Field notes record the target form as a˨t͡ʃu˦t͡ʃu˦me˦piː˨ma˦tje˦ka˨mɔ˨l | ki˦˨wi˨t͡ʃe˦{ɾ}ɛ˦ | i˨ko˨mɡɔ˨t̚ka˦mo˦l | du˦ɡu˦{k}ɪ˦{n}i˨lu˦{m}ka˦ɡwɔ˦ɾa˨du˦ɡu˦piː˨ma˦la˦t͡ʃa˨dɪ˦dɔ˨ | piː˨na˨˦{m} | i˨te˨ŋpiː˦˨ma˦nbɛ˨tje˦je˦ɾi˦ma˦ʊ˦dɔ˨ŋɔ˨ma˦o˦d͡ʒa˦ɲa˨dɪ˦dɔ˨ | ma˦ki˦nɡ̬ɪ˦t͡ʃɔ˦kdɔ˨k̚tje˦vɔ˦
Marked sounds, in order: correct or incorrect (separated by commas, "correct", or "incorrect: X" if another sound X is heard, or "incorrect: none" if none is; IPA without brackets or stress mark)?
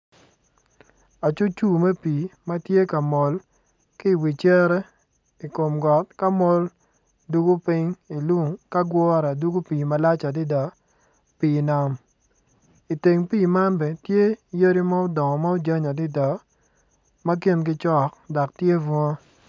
correct, incorrect: p, incorrect: ŋ, incorrect: ŋ, correct